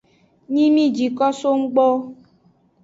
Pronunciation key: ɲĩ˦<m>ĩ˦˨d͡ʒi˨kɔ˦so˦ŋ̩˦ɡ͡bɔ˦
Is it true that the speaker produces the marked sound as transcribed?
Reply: yes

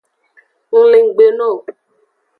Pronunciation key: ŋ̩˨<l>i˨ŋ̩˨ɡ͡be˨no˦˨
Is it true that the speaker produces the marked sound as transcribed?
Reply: yes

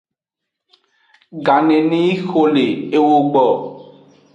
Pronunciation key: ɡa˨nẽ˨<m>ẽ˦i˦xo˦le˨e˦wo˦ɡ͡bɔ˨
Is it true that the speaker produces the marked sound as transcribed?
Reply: no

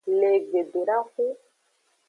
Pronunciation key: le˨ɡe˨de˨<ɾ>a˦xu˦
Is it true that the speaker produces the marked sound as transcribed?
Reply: yes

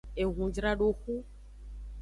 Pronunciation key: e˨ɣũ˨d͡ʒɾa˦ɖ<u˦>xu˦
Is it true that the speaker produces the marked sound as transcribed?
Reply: no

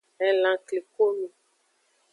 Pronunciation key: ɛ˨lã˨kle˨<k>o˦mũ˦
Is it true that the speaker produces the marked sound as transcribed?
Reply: yes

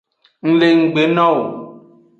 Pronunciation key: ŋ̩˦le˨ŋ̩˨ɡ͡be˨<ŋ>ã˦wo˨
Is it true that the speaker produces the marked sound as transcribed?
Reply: no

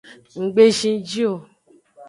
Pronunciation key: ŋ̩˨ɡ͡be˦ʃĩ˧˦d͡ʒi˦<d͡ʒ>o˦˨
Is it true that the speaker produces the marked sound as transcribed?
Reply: no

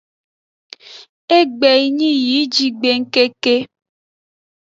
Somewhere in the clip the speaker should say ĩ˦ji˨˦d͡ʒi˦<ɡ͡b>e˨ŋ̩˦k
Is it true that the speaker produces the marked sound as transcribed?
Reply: yes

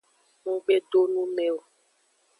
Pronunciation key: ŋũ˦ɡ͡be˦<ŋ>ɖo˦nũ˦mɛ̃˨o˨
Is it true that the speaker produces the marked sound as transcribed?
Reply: no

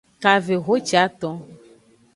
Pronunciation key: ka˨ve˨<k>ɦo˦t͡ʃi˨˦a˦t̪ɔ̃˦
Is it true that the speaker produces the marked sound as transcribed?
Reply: no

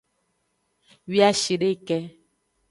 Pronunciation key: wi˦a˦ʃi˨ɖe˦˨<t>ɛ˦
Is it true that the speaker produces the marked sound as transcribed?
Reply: no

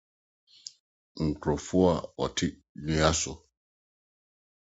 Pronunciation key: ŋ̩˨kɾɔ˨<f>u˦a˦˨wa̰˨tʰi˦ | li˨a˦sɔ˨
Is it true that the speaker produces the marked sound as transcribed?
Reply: yes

